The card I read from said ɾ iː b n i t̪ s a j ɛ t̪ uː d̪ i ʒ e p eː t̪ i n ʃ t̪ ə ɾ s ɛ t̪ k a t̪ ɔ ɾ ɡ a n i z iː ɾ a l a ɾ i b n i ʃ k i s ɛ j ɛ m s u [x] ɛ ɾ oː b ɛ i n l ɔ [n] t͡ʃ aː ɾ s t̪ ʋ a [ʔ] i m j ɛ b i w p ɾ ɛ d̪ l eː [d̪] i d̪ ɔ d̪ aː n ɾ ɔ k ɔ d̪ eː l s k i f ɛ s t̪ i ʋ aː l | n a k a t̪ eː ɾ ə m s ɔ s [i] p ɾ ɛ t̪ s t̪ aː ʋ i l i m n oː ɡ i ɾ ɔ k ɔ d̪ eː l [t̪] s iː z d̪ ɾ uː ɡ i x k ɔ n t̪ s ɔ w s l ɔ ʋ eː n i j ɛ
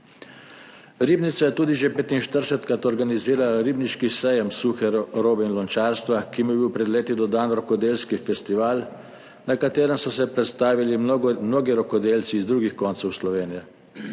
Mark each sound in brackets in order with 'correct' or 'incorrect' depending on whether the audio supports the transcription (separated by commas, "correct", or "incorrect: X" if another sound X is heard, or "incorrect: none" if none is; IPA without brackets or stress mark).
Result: correct, correct, incorrect: k, incorrect: t̪, incorrect: ɛ, correct